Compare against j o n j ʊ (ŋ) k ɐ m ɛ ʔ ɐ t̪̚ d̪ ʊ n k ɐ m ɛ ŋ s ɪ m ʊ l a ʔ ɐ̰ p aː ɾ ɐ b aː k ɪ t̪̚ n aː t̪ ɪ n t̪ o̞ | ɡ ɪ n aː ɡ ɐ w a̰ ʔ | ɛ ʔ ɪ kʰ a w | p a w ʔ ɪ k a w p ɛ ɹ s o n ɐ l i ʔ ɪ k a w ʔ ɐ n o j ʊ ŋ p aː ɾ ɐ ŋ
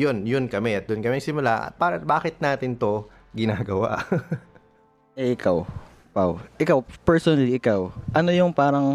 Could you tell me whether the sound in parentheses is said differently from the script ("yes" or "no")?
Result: yes